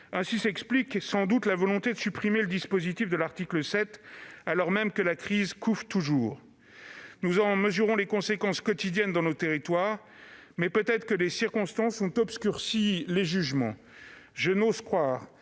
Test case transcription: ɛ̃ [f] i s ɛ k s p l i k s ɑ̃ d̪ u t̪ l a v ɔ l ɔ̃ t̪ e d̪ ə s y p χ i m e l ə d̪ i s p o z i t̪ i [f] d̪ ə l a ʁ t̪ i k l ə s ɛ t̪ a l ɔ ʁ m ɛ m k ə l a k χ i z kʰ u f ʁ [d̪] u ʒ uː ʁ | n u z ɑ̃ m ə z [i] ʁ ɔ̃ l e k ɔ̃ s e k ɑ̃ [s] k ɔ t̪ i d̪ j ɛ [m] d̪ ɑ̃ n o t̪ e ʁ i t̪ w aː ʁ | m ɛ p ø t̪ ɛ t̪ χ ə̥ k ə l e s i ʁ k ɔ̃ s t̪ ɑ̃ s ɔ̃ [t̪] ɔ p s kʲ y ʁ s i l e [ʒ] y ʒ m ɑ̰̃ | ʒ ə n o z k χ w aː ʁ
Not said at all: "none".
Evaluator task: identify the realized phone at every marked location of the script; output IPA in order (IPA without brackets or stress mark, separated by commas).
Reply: s, f, t̪, y, s, n, t̪, ʒ